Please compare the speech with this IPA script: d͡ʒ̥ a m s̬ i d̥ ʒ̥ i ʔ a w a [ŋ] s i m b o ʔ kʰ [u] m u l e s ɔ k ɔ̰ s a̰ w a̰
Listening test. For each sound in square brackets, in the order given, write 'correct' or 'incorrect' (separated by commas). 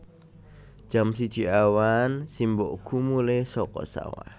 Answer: incorrect, correct